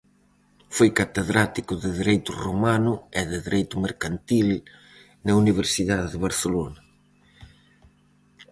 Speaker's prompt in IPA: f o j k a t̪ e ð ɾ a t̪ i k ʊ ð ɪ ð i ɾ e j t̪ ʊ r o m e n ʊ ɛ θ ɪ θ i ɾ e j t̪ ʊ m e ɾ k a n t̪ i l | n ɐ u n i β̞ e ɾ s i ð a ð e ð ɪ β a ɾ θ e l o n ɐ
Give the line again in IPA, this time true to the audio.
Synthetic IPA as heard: f o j k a t̪ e ð ɾ a t̪ i k ʊ ð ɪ ð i ɾ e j t̪ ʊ r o m a n ʊ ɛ ð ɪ ð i ɾ e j t̪ ʊ m e ɾ k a n t̪ i l | n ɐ u n i β̞ e ɾ s i ð a ð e ð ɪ β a ɾ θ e l o n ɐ